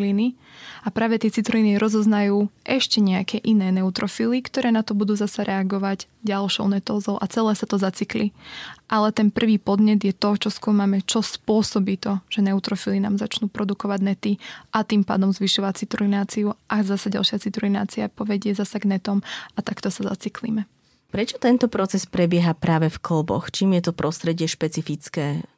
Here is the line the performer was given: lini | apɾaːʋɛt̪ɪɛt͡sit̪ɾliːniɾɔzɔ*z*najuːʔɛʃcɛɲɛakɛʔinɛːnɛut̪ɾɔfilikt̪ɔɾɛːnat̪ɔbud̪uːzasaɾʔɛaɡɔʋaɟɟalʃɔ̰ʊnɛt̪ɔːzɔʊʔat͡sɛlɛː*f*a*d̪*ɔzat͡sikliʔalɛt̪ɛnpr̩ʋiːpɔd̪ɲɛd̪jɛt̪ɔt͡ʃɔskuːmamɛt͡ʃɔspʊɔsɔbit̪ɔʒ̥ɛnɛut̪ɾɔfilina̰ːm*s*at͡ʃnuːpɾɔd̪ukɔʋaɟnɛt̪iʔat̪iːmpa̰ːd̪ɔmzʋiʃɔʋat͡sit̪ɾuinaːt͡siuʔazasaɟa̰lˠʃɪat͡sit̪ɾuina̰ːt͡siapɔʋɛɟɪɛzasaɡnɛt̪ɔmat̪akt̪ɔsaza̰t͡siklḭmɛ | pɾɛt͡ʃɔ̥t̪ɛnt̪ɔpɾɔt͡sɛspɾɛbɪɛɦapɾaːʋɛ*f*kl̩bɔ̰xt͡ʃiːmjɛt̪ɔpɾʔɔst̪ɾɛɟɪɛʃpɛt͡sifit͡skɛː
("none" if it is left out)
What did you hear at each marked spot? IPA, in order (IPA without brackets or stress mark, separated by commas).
z, s, t̪, z, f